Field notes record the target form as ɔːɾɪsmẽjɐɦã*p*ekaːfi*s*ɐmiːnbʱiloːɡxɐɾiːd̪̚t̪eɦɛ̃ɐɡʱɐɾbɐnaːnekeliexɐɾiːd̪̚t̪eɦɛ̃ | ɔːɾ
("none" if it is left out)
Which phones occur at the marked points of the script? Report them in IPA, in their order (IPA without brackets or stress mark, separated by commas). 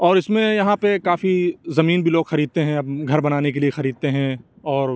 p, z